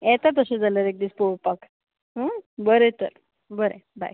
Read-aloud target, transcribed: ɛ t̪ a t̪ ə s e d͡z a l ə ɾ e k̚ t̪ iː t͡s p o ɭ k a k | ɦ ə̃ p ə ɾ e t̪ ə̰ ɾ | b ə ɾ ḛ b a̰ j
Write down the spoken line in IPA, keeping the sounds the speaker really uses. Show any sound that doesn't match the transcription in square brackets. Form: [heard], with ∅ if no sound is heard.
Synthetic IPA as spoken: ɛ t̪ a t̪ ə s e d͡z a l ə ɾ e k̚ [d̪] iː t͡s p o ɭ [p] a k | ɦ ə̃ [b] ə ɾ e t̪ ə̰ ɾ | b ə ɾ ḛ b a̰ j